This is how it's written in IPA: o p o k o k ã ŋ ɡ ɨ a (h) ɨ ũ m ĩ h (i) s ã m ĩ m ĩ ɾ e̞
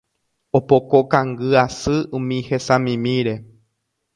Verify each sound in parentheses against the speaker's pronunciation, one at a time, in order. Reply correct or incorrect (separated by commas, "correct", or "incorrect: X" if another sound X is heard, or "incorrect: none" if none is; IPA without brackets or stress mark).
incorrect: s, incorrect: e